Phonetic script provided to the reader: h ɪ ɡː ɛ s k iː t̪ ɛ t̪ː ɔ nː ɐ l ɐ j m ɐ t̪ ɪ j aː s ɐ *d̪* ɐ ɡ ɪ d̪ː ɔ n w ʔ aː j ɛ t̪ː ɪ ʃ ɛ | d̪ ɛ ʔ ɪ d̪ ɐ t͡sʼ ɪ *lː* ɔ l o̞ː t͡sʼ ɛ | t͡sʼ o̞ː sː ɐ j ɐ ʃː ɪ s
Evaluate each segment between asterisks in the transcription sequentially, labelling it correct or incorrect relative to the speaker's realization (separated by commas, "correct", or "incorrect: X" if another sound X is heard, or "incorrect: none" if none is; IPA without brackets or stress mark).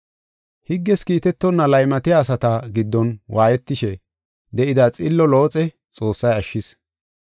incorrect: t̪, correct